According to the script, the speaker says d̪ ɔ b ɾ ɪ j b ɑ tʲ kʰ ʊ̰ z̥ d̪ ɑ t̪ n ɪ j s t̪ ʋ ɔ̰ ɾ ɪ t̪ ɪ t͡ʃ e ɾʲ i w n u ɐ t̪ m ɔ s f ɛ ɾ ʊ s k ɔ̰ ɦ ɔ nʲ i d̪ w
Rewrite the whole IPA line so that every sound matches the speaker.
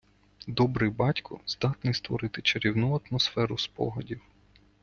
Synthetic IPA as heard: d̪ ɔ b ɾ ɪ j b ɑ tʲ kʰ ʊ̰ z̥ d̪ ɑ t̪ n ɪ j s t̪ ʋ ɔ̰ ɾ ɪ t̪ ɪ t͡ʃ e ɾʲ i w n u ɐ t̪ m ɔ s f ɛ ɾ ʊ s p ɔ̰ ɦ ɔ dʲ i w